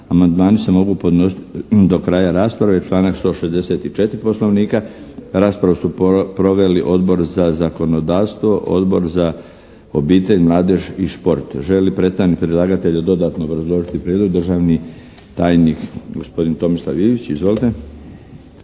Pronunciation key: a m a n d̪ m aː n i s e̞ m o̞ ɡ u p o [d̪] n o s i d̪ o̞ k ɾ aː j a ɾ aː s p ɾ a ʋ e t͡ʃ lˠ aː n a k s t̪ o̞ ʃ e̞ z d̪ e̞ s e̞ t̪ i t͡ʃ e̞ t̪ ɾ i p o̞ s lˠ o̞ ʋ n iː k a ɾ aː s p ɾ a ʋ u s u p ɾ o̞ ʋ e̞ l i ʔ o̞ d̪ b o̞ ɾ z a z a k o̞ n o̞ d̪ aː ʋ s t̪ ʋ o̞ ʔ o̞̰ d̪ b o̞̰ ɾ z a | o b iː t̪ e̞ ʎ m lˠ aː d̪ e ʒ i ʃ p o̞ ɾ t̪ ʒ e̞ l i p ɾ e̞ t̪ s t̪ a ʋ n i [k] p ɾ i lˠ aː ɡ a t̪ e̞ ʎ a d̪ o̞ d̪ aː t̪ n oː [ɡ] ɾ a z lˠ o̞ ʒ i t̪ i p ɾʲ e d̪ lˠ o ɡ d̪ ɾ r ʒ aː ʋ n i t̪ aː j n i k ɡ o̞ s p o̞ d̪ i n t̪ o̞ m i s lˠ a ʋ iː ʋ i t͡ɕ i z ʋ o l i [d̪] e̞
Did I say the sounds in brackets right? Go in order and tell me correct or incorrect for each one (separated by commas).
correct, correct, incorrect, incorrect